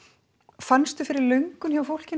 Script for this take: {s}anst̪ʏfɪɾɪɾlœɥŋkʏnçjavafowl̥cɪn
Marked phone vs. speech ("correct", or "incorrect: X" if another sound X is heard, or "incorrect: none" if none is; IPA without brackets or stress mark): incorrect: f